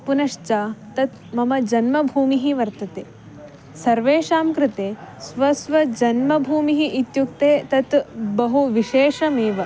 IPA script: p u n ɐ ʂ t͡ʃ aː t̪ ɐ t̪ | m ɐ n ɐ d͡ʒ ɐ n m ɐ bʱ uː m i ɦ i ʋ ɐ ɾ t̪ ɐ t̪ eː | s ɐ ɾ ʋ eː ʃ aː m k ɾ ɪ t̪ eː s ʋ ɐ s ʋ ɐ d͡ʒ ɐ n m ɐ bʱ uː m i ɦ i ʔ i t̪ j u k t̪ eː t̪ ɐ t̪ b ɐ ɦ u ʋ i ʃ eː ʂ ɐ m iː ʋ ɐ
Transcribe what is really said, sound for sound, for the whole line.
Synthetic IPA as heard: p u n ɐ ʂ t͡ʃ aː t̪ ɐ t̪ | m ɐ m ɐ d͡ʒ ɐ n m ɐ bʱ uː m i ɦ i ʋ ɐ ɾ t̪ ɐ t̪ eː | s ɐ ɾ ʋ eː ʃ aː m k ɾ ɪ t̪ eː s ʋ ɐ s ʋ ɐ d͡ʒ ɐ n m ɐ bʱ uː m i ɦ i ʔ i t̪ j u k t̪ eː t̪ ɐ t̪ b ɐ ɦ u ʋ i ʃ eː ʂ ɐ m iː ʋ ɐ